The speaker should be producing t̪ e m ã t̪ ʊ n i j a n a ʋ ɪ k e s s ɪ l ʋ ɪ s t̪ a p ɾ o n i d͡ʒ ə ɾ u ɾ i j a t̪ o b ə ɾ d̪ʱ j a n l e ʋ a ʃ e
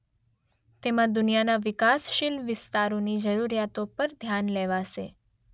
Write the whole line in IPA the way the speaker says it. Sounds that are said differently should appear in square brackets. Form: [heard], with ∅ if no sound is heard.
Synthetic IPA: t̪ e m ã [d̪] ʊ n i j a n a ʋ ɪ k [a] s [ʃ] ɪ l ʋ ɪ s t̪ a [∅] ɾ o n i d͡ʒ ə ɾ u ɾ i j a t̪ o [p] ə ɾ d̪ʱ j a n l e ʋ a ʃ e